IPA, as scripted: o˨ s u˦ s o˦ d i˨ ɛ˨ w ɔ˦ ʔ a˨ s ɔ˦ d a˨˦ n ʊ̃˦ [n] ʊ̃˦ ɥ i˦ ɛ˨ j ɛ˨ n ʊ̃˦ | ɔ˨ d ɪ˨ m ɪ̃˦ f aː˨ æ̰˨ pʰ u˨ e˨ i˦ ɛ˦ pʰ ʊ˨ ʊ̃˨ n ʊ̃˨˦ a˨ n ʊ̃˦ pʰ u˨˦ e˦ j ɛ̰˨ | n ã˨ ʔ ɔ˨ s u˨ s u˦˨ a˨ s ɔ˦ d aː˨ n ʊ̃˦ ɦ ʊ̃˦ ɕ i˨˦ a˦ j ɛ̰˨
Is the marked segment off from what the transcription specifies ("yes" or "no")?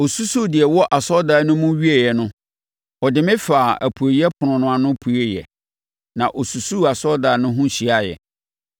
yes